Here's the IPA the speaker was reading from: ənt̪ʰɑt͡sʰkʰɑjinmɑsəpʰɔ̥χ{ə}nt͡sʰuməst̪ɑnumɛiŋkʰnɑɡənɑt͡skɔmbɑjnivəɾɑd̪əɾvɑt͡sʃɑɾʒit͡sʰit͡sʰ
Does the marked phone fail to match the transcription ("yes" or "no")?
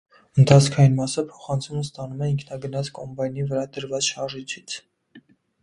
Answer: yes